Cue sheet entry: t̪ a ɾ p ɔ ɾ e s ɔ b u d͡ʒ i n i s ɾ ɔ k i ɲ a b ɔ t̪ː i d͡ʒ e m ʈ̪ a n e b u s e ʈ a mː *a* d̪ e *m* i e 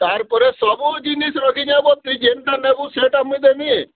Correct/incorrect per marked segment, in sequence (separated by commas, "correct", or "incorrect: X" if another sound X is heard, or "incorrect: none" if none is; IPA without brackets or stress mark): incorrect: i, correct